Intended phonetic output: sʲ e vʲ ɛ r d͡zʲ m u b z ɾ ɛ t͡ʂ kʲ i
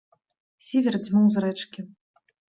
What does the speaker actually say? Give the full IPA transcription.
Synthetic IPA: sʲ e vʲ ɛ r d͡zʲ m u w z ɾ ɛ t͡ʂ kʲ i